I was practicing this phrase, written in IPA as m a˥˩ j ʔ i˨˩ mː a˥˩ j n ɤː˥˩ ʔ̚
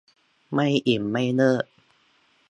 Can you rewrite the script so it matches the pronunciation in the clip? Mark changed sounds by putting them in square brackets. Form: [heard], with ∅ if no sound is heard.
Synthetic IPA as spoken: m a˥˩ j ʔ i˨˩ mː a˥˩ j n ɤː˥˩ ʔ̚

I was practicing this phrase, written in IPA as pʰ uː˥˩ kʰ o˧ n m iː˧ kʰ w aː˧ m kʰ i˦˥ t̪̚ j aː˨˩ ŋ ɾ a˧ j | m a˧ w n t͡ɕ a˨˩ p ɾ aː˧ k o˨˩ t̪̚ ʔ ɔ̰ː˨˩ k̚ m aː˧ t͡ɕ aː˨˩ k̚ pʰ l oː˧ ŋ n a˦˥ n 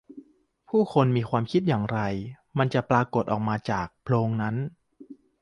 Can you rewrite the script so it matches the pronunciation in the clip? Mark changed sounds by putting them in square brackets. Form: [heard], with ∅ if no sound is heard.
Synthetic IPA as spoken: pʰ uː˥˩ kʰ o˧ n m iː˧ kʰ w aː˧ m kʰ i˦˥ t̪̚ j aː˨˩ ŋ ɾ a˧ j | m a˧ [∅] n t͡ɕ a˨˩ p ɾ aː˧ k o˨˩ t̪̚ ʔ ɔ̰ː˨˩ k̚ m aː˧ t͡ɕ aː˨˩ k̚ pʰ l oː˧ ŋ n a˦˥ n

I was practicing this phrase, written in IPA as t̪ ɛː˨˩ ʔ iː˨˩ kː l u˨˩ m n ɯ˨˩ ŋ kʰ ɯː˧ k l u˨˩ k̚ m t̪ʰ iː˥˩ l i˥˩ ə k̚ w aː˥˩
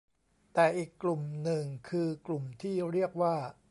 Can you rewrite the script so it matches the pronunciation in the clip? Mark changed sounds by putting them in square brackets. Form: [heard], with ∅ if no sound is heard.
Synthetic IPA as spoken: t̪ ɛː˨˩ ʔ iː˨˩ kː l u˨˩ m n ɯ˨˩ ŋ kʰ ɯː˧ k l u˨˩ [∅] m t̪ʰ iː˥˩ [ɾ] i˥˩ ə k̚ w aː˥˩

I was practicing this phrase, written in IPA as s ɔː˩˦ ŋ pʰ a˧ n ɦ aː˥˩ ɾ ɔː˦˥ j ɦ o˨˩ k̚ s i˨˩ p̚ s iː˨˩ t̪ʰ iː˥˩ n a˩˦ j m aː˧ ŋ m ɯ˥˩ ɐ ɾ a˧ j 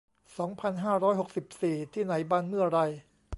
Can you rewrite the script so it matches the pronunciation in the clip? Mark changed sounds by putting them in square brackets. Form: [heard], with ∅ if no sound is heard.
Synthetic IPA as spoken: s ɔː˩˦ ŋ pʰ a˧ n ɦ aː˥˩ ɾ ɔː˦˥ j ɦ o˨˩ k̚ s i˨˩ p̚ s iː˨˩ t̪ʰ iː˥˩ n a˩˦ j [b] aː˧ [n] m ɯ˥˩ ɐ ɾ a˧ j

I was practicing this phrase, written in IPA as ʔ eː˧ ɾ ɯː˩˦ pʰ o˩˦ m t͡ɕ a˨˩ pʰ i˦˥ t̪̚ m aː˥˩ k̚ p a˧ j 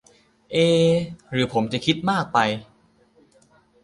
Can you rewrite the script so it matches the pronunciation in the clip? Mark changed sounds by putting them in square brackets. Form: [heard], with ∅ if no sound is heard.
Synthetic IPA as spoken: ʔ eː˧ ɾ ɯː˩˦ pʰ o˩˦ m t͡ɕ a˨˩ [kʰ] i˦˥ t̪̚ m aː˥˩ k̚ p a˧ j

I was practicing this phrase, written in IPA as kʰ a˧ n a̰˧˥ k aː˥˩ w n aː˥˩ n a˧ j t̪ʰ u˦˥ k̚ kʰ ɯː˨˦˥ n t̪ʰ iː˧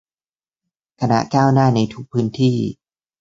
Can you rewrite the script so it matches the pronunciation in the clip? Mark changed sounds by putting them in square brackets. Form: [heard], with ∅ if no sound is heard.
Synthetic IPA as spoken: kʰ a˧ n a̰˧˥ k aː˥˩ w n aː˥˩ n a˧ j t̪ʰ u˦˥ k̚ [pʰ] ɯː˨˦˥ n t̪ʰ [iː˥˩]

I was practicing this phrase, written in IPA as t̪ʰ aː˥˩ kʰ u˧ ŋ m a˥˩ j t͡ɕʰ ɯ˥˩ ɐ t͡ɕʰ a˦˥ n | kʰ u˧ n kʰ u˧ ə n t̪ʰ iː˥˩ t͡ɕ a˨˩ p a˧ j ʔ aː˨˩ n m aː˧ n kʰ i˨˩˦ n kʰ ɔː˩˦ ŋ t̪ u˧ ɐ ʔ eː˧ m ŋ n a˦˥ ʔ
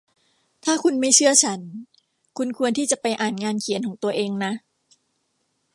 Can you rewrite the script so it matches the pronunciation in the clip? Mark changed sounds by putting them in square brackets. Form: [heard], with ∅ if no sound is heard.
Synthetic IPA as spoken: t̪ʰ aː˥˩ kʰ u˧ [n] m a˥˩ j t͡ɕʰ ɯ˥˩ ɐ t͡ɕʰ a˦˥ n | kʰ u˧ n kʰ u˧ ə n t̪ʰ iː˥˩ t͡ɕ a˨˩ p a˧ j ʔ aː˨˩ n [ŋ] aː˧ n kʰ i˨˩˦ n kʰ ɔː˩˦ ŋ t̪ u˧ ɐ ʔ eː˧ [∅] ŋ n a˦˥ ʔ

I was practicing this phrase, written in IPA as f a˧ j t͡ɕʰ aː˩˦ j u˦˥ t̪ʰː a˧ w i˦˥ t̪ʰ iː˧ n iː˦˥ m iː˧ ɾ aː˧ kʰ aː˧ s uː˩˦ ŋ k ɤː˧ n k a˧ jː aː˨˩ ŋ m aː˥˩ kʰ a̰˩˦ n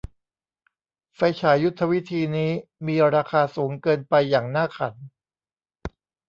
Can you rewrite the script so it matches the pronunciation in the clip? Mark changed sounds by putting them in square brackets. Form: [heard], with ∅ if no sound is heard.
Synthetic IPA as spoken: f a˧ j t͡ɕʰ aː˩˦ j u˦˥ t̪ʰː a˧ w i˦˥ t̪ʰ iː˧ n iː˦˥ m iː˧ ɾ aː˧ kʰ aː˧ s uː˩˦ ŋ k ɤː˧ n [p] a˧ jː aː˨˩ ŋ [n] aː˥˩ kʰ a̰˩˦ n

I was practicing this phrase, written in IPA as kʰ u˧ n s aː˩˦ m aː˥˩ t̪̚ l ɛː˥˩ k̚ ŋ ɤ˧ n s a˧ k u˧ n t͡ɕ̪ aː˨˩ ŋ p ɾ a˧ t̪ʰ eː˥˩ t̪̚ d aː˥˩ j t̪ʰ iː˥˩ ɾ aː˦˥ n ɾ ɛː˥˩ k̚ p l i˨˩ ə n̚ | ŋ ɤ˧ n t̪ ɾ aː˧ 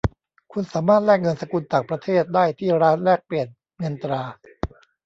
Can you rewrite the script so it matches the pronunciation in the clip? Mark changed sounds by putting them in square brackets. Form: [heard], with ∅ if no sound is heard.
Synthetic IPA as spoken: kʰ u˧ n s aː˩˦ m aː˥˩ t̪̚ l ɛː˥˩ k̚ ŋ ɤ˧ n s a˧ k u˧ n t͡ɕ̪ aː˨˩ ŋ p ɾ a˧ t̪ʰ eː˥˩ t̪̚ d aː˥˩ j t̪ʰ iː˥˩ ɾ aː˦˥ n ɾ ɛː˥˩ k̚ p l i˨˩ ə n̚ | ŋ ɤ˧ n t̪ ɾ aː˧

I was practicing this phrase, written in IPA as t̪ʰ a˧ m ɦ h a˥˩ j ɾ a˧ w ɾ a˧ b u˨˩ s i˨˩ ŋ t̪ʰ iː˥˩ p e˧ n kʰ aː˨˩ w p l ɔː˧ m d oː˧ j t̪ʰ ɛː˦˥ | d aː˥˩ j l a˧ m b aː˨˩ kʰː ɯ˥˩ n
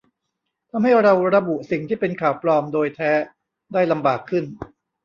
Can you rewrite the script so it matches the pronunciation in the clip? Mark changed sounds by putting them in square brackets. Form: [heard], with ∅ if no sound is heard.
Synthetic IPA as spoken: t̪ʰ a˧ m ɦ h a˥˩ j ɾ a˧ w ɾ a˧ b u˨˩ s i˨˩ ŋ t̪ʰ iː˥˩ p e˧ n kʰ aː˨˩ w p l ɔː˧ m d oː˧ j t̪ʰ ɛː˦˥ | d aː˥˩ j l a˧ m b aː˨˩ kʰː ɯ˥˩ n

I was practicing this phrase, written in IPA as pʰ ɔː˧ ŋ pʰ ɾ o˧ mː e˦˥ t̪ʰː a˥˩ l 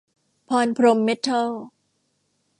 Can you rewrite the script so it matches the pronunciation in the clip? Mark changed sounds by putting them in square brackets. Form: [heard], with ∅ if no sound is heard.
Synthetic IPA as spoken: pʰ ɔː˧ [n] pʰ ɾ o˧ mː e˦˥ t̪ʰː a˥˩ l

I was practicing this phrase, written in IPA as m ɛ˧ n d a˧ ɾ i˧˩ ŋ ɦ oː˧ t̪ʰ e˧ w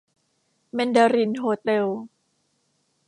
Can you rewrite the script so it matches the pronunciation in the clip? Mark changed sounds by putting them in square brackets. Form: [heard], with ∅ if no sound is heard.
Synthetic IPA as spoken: m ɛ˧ n d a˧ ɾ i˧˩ [n] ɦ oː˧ [t̪] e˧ w

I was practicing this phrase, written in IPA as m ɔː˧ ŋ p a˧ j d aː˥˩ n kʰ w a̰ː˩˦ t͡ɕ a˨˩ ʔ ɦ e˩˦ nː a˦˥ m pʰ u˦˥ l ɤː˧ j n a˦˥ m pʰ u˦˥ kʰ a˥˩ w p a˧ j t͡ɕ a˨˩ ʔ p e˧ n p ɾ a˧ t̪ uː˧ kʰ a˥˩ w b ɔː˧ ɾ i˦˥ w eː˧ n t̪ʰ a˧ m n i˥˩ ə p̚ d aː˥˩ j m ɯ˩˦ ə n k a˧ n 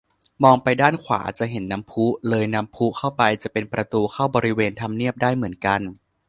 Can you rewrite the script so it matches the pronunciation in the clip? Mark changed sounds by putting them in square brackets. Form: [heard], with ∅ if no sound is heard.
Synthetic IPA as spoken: m ɔː˧ ŋ p a˧ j d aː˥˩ n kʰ w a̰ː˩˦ t͡ɕ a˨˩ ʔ ɦ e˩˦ nː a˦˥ m pʰ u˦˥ l ɤː˧ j n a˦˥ m pʰ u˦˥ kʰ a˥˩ w p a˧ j t͡ɕ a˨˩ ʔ p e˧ n p ɾ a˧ t̪ uː˧ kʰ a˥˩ w b ɔː˧ ɾ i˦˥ w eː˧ n t̪ʰ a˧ m n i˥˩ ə p̚ d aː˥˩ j m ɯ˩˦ ə n k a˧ n

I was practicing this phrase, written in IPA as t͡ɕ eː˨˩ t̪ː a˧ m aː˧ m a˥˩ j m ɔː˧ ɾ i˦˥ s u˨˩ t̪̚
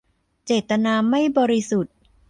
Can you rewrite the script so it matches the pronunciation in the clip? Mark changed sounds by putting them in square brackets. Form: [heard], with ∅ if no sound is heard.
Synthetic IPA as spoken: t͡ɕ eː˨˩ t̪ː a˧ [n] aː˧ m a˥˩ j [b] ɔː˧ ɾ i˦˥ s u˨˩ t̪̚

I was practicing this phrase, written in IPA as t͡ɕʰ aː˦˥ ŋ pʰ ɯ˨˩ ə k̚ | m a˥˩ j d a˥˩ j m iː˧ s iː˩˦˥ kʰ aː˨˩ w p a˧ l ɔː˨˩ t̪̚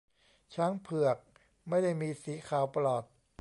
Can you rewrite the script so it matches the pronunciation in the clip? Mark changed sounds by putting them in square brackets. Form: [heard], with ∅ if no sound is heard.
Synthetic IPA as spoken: t͡ɕʰ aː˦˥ ŋ pʰ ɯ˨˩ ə k̚ | m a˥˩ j d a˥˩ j m iː˧ s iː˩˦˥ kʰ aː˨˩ w p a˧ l ɔː˨˩ t̪̚

